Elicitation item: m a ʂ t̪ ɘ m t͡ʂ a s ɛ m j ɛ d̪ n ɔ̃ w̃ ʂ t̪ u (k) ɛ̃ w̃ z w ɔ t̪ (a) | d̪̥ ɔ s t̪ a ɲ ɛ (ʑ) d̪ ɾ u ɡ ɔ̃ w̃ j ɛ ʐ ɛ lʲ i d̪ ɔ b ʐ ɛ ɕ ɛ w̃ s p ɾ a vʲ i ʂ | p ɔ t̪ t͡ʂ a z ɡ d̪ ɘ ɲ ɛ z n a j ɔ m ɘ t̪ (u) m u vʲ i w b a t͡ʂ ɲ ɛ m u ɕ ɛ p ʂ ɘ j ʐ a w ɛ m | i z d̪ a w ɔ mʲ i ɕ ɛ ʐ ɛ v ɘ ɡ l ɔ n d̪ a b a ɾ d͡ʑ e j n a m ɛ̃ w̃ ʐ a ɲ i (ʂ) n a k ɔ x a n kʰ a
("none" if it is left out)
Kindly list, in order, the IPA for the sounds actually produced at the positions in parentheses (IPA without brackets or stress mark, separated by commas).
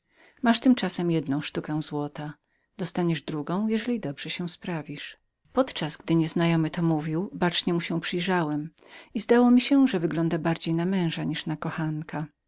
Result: k, a, ʐ, ɔ, ʂ